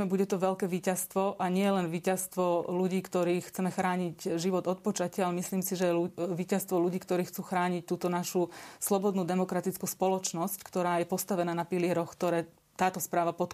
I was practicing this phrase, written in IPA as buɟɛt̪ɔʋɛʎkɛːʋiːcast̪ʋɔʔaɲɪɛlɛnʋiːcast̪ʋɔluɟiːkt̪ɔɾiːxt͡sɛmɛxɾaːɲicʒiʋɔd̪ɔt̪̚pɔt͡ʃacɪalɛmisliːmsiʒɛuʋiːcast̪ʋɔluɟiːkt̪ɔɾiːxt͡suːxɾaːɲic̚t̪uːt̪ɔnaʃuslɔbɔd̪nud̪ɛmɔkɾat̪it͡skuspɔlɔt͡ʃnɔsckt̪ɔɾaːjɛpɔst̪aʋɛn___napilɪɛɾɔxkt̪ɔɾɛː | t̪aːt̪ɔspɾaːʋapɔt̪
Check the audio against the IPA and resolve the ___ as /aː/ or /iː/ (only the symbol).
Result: aː